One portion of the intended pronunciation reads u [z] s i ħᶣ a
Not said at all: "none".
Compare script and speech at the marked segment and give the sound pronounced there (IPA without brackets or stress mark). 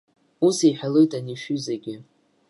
none